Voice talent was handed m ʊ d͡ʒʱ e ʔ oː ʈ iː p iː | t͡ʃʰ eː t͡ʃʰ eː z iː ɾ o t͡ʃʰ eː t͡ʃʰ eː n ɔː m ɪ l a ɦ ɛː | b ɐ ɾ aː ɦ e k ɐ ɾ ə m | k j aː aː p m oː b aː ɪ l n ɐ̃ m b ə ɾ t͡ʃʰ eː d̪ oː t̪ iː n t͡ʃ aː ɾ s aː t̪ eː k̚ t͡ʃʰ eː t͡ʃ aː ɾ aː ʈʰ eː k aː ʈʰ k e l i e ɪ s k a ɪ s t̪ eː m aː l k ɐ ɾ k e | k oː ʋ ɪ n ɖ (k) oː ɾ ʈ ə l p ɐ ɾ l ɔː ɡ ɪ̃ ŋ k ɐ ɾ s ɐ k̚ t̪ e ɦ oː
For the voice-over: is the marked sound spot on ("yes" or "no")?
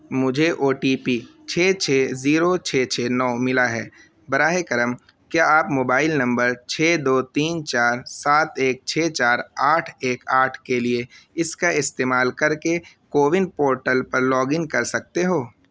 no